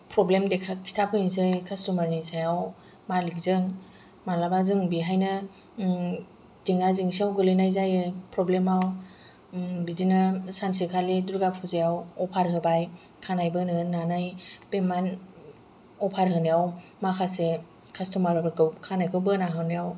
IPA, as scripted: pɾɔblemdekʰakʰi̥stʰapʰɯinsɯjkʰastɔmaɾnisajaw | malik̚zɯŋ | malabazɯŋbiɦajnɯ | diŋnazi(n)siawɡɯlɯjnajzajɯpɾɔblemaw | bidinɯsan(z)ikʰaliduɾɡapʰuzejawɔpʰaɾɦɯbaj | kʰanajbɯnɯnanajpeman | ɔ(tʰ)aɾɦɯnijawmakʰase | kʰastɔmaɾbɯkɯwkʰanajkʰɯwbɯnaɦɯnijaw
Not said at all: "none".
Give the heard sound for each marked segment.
ŋ, s, pʰ

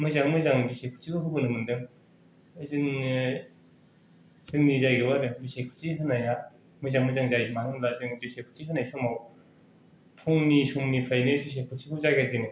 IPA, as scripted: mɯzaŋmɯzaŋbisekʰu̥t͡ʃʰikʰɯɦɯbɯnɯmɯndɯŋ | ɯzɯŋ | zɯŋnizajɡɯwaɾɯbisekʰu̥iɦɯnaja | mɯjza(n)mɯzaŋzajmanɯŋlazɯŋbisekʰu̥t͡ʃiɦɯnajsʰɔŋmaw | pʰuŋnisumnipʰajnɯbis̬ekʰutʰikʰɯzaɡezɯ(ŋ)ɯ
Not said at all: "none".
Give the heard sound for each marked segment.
ŋ, n

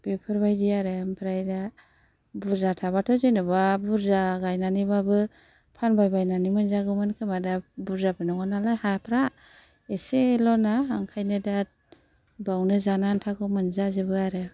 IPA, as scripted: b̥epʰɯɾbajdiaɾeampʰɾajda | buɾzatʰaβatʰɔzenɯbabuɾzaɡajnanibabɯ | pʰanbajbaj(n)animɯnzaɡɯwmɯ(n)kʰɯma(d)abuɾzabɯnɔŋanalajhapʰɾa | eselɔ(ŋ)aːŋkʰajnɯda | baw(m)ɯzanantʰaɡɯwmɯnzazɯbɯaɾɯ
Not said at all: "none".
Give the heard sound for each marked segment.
n, n, d, n, n

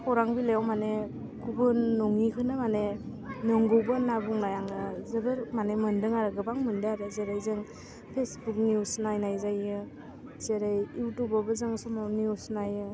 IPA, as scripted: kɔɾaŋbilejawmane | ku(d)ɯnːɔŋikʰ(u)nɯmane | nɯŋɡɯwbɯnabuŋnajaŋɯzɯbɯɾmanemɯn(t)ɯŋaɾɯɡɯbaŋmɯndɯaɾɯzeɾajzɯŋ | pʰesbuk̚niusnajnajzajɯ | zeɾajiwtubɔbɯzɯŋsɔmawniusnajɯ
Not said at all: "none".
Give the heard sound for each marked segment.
b, ɯ, d

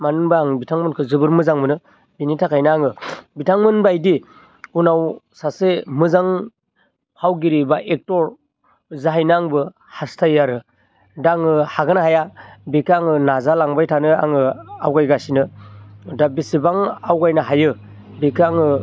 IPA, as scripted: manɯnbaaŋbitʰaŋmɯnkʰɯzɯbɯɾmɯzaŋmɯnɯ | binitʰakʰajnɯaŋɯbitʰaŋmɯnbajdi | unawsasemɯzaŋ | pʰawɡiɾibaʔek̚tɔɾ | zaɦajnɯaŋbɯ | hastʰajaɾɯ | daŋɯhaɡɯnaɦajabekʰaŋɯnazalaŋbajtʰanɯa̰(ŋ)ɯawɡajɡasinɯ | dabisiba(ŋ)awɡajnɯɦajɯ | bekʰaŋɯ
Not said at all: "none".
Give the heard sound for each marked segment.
ŋ, ŋ

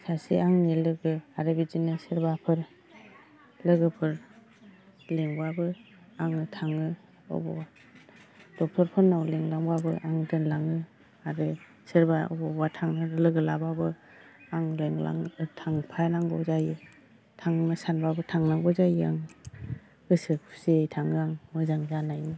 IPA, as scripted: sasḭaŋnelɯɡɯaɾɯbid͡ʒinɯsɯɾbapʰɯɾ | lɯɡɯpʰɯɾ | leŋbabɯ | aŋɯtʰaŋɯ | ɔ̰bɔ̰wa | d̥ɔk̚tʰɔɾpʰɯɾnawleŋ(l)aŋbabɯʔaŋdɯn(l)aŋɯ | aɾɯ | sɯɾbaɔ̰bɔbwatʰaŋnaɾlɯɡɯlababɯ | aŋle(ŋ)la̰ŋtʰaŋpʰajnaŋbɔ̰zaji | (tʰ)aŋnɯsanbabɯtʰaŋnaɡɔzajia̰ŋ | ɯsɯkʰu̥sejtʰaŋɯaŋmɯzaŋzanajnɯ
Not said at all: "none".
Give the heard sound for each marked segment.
l, l, ŋ, tʰ

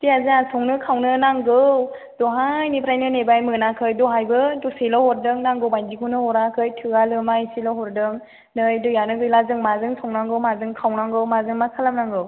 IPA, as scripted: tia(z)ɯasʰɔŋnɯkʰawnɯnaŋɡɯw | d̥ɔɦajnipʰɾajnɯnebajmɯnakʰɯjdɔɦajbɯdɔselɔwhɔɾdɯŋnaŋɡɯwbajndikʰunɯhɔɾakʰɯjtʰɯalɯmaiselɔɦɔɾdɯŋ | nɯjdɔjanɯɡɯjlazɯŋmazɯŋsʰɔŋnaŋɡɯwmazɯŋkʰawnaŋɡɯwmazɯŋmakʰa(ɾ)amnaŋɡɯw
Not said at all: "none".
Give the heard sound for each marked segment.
z, l

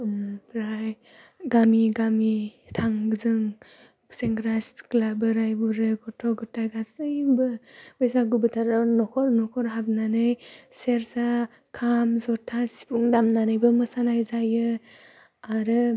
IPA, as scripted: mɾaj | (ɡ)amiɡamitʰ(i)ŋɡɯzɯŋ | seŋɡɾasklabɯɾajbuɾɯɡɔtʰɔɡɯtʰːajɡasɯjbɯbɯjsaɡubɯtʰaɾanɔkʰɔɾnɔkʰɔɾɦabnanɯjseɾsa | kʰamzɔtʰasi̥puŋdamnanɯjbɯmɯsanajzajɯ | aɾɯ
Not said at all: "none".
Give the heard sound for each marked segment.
ɡ, a

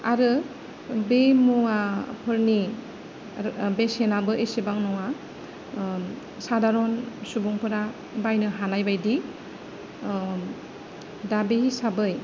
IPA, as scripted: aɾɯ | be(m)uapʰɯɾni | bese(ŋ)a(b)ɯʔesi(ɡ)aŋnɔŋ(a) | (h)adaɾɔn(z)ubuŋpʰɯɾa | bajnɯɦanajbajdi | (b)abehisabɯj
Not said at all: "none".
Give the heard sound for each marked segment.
m, n, b, b, a, s, s, d

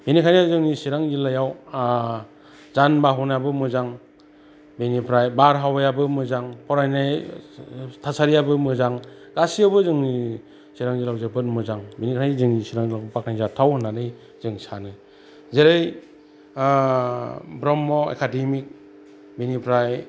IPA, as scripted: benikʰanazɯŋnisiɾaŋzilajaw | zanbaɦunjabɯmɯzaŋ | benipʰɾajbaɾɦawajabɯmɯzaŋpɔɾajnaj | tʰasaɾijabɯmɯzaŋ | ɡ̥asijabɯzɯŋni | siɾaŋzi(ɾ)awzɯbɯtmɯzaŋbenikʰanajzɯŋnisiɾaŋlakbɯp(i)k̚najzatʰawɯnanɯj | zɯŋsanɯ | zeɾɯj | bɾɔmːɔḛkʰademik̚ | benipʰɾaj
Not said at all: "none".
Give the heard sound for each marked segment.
l, a

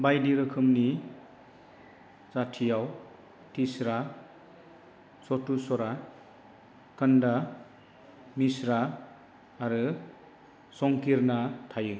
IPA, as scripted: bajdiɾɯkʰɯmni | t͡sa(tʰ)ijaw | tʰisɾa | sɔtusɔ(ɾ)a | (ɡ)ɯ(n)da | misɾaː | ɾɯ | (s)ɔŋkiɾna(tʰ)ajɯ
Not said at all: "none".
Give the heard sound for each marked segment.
tʰ, ɾ, k, n, s, tʰ

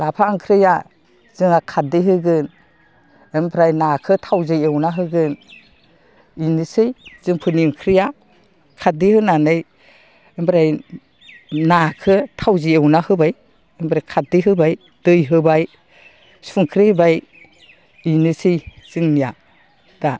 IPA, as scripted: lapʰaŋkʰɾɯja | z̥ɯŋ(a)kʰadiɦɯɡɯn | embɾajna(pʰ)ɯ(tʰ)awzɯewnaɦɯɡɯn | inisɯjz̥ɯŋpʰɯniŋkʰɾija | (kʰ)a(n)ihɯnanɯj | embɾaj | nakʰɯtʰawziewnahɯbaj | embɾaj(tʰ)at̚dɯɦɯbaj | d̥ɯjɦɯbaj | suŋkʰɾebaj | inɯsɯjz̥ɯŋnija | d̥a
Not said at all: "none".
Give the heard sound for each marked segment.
a, kʰ, tʰ, kʰ, d, kʰ

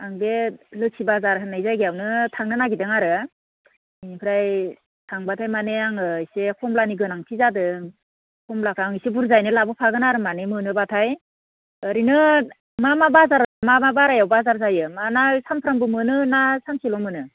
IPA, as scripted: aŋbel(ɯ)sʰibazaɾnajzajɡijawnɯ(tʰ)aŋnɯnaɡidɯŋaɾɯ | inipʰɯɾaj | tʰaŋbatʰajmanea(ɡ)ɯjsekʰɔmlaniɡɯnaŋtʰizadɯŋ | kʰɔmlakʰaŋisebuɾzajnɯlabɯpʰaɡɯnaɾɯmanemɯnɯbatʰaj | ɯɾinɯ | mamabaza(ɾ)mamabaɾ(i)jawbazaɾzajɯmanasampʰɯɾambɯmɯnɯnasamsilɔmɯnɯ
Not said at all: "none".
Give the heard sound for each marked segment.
ɯ, tʰ, ŋ, ɾ, a

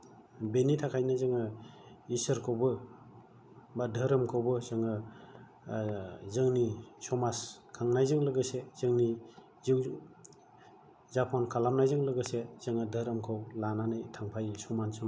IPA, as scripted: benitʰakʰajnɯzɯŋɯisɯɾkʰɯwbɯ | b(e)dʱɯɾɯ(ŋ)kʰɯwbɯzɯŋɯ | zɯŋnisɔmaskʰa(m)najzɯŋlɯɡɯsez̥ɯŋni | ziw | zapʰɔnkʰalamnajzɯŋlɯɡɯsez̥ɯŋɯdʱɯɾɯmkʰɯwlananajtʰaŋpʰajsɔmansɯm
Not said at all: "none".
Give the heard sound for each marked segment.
a, m, ŋ

